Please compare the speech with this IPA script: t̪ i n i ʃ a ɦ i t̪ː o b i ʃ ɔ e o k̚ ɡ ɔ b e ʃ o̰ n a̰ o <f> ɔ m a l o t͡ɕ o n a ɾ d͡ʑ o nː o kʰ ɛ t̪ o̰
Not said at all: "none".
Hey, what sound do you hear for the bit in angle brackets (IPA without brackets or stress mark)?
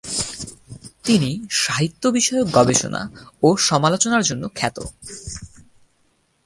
ʃ